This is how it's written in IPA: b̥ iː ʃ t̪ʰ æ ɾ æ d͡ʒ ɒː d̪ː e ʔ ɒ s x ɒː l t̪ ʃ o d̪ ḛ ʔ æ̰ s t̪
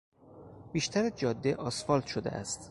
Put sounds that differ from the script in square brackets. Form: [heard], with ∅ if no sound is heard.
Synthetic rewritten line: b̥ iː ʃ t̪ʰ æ ɾ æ d͡ʒ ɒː d̪ː e ʔ ɒ s [f] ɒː l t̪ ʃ o d̪ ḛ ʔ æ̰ s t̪